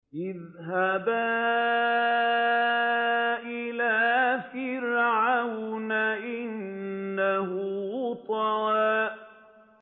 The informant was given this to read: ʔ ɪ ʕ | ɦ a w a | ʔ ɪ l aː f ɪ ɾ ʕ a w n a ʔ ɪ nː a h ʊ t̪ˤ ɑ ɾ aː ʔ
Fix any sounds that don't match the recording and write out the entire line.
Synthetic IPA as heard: ʔ ɪ ð | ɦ a b a | ʔ ɪ l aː f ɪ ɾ ʕ a w n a ʔ ɪ nː a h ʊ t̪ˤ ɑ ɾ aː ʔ

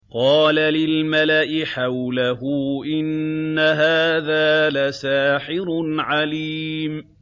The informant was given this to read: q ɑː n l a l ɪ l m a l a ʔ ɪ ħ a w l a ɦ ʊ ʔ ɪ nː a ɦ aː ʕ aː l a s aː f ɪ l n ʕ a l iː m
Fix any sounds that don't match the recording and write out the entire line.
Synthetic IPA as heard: q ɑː l a l ɪ l m a l a ʔ ɪ ħ a w l a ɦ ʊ ʔ ɪ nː a ɦ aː ð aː l a s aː ħ ɪ ɾ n ʕ a l iː m

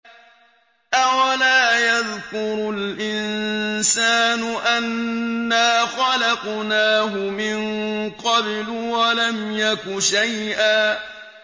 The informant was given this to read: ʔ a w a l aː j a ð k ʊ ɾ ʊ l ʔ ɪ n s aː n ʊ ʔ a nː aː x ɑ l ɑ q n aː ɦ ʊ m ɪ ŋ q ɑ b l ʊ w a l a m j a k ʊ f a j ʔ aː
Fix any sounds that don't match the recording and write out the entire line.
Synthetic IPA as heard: ʔ a w a l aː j a ð k ʊ ɾ ʊ l ʔ ɪ n s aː n ʊ ʔ a nː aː x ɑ l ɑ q n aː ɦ ʊ m ɪ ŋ q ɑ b l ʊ w a l a m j a k ʊ ʃ a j ʔ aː

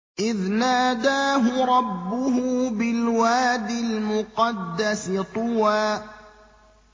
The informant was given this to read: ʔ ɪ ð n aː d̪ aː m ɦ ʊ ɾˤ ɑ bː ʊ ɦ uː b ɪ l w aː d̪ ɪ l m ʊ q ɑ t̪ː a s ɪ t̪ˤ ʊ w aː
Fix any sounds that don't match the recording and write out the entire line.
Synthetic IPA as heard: ʔ ɪ ð n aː d̪ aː ɦ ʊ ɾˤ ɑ bː ʊ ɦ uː b ɪ l w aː d̪ ɪ l m ʊ q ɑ d̪ː a s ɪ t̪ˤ ʊ w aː

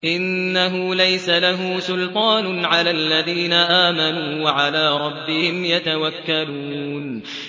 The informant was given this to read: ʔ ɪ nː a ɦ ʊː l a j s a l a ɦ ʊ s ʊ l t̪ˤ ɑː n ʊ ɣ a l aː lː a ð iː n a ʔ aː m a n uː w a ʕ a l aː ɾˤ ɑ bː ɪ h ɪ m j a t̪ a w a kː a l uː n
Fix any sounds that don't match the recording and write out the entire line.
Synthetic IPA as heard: ʔ ɪ nː a ɦ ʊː l a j s a l a ɦ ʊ s ʊ l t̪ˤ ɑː n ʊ ʕ a l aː lː a ð iː n a ʔ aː m a n uː w a ʕ a l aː ɾˤ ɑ bː ɪ h ɪ m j a t̪ a w a kː a l uː n

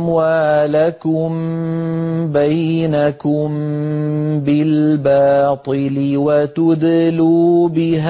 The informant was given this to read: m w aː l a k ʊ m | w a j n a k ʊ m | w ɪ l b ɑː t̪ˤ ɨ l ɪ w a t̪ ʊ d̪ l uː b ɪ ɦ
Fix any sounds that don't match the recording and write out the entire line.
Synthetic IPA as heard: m w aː l a k ʊ m | b a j n a k ʊ m | b ɪ l b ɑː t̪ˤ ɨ l ɪ w a t̪ ʊ d̪ l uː b ɪ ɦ

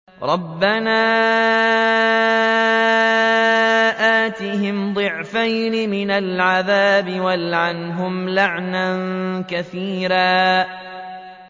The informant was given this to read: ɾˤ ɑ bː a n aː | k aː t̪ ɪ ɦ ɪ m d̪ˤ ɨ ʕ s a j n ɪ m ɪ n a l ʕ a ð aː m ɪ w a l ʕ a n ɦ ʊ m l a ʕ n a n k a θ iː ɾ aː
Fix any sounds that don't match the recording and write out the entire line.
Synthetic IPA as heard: ɾˤ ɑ bː a n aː | ʔ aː t̪ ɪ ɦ ɪ m d̪ˤ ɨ ʕ f a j n ɪ m ɪ n a l ʕ a ð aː b ɪ w a l ʕ a n ɦ ʊ m l a ʕ n a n k a θ iː ɾ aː

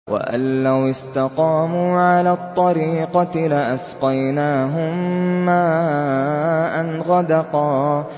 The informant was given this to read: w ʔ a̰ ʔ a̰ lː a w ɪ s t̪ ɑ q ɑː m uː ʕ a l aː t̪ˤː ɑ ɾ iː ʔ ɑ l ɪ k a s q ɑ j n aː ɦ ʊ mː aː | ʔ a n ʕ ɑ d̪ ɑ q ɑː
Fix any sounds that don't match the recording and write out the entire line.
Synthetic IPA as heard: w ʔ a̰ ʔ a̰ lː a w ɪ s t̪ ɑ q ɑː m uː ʕ a l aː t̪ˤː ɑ ɾ iː q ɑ l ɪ ʔ a s q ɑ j n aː ɦ ʊ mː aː | ʔ a n ɣ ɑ d̪ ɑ q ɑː

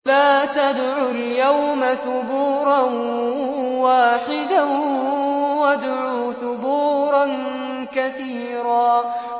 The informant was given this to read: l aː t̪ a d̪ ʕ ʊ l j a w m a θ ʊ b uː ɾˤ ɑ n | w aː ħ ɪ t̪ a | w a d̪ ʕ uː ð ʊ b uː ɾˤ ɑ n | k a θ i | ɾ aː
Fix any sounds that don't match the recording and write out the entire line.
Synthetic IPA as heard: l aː t̪ a d̪ ʕ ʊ l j a w m a θ ʊ b uː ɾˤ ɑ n | w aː ħ ɪ d̪ a | w a d̪ ʕ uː θ ʊ b uː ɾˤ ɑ n | k a θ iː | ɾ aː

